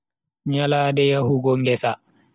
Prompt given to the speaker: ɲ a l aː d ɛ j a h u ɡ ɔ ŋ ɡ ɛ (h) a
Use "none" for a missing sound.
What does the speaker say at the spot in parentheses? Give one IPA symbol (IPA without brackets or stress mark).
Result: s